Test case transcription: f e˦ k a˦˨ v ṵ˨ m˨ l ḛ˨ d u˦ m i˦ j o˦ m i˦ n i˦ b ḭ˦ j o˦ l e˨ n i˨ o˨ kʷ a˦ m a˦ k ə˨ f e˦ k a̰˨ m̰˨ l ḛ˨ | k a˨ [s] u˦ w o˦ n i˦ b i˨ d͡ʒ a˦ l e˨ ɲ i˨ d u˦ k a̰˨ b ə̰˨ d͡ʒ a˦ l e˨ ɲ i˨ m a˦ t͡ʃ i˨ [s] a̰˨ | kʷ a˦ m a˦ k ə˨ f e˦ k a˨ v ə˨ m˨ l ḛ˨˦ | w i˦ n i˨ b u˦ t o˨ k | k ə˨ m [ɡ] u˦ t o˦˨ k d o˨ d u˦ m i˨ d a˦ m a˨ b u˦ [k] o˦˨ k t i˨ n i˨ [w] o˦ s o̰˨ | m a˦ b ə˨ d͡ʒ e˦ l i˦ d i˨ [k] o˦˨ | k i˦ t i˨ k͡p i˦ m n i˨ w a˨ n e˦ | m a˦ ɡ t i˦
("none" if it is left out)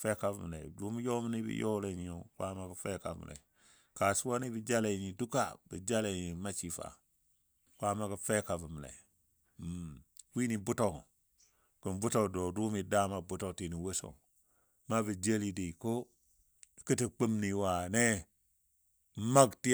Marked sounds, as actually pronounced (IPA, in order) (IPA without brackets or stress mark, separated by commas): s, f, b, t, w, k